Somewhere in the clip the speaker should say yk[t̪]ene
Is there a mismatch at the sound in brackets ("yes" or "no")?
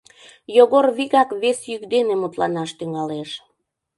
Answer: yes